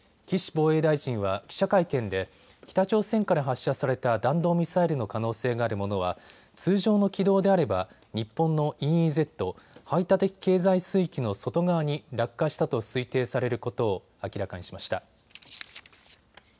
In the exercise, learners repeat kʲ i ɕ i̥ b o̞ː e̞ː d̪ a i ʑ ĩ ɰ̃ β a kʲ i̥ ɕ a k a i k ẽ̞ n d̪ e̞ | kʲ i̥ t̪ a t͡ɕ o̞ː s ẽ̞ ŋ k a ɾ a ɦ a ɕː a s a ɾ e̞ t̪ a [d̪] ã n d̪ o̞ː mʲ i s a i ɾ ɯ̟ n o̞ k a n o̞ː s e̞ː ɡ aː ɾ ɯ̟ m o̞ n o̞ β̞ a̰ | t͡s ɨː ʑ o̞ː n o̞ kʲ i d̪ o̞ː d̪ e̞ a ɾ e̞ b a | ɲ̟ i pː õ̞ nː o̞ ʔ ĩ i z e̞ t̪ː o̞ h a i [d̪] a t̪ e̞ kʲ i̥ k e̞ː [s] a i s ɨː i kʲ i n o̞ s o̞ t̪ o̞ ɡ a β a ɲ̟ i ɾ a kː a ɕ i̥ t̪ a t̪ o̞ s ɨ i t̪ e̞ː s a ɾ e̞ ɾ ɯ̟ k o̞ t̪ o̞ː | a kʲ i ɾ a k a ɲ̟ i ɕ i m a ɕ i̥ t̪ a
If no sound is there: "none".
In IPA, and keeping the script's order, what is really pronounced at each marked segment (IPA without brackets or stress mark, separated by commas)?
d̪, t̪, z